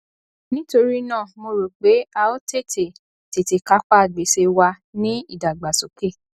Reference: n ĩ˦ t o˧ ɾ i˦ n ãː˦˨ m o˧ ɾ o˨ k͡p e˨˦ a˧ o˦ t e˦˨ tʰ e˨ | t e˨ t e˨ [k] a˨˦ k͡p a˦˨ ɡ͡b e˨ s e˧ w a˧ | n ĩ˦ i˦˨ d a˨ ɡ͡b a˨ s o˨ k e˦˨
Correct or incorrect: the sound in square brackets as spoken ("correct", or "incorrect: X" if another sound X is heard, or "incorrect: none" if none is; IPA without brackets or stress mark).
correct